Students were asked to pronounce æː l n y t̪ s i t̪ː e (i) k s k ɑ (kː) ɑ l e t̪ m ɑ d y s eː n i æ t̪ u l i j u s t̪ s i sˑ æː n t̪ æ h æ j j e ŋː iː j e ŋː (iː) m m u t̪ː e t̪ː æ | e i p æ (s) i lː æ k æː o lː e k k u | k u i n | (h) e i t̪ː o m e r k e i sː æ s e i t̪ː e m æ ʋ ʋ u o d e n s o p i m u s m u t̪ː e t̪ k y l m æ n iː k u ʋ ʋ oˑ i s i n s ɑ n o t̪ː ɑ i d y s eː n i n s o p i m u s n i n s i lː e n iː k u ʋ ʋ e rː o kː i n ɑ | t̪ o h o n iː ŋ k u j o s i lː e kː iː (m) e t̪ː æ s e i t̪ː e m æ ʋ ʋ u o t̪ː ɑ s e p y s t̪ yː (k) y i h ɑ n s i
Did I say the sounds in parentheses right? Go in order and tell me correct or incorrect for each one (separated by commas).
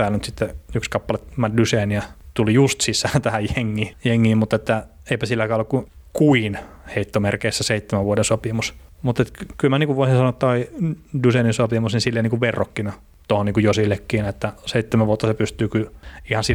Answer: incorrect, incorrect, correct, correct, correct, incorrect, correct